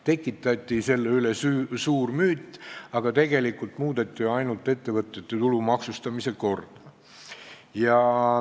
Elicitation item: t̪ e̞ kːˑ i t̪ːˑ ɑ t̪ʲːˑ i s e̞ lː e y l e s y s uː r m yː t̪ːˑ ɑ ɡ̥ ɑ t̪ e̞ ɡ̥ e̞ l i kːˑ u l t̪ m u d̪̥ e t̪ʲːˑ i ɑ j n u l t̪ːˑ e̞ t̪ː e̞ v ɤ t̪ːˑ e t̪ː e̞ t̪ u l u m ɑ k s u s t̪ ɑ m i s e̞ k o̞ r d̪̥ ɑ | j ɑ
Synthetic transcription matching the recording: t̪ e̞ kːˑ i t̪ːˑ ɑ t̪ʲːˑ i s e̞ lː e y l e s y s uː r m yː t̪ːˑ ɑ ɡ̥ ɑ t̪ e̞ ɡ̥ e̞ l i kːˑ u l t̪ m uː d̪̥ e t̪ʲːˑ i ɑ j n u l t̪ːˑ e̞ t̪ː e̞ v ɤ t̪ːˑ e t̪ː e̞ t̪ u l u m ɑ k s u s t̪ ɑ m i s e̞ k o̞ r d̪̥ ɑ | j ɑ